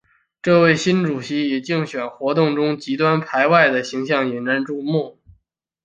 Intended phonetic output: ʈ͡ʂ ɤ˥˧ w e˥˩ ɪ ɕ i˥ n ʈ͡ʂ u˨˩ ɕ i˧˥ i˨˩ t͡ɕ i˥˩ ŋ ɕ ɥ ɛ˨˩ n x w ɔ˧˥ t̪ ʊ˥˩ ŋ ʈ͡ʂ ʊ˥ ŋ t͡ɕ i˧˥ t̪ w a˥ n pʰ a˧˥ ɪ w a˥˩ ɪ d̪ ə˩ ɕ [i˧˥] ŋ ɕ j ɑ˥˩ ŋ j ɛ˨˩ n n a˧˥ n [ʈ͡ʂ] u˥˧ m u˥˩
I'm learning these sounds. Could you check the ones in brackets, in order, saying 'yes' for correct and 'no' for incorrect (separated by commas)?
yes, yes